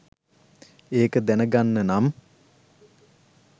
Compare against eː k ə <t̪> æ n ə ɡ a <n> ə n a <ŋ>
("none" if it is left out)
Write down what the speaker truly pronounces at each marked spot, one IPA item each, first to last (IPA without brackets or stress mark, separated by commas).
d̪, nː, m